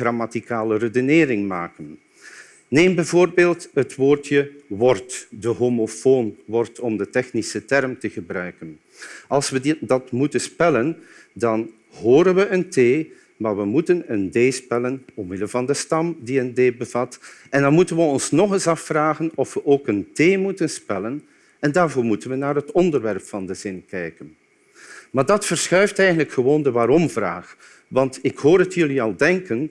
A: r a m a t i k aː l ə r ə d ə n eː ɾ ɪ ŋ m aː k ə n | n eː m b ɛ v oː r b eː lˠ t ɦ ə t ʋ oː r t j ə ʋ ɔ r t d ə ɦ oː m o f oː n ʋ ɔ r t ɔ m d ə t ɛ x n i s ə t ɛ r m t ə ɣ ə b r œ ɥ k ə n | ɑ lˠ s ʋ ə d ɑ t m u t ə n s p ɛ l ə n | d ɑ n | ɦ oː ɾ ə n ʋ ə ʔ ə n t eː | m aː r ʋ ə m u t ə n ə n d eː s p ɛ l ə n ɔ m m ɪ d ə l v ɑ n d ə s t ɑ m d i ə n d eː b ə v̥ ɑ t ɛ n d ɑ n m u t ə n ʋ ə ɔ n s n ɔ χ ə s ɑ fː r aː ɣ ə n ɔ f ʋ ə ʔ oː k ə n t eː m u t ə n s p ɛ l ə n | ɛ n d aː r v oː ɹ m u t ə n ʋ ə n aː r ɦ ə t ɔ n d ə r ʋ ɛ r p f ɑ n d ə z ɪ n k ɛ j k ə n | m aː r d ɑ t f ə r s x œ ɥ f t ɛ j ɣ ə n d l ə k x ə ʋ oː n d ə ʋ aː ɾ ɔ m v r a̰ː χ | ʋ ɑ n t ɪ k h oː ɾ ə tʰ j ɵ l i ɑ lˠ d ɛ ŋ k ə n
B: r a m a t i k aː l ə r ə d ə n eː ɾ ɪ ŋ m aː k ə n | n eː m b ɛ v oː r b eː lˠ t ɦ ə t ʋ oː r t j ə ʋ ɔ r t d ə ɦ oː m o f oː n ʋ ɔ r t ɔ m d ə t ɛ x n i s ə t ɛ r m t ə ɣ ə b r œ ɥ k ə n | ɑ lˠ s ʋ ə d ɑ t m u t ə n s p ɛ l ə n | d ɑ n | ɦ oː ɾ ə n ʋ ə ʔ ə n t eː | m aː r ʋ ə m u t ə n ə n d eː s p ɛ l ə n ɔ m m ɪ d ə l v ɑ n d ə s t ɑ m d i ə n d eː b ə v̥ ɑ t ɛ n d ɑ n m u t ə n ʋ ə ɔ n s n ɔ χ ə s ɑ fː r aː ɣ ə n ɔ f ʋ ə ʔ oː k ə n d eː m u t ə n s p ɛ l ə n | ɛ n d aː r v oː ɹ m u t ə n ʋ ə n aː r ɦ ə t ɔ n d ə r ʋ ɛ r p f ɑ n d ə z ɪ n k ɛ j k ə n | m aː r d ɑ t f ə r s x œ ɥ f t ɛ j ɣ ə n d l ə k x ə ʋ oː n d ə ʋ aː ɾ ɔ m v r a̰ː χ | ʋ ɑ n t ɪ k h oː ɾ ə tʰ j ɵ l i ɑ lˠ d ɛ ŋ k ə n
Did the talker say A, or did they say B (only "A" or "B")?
A